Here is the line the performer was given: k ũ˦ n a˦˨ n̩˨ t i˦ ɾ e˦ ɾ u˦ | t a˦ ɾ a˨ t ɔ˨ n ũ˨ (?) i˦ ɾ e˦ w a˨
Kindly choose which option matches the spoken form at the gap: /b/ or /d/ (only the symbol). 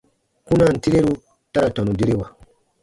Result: d